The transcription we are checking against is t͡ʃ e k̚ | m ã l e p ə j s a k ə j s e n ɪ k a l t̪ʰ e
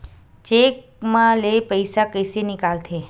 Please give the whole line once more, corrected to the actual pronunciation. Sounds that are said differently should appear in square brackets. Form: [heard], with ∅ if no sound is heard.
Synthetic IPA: t͡ʃ e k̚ | m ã l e p ə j s a k ə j s e n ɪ k a l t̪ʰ e